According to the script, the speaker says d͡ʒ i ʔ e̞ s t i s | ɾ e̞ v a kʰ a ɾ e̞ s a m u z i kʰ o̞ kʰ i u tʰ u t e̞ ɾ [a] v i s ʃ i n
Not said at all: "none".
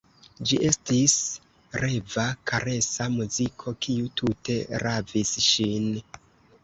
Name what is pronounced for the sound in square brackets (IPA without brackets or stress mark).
a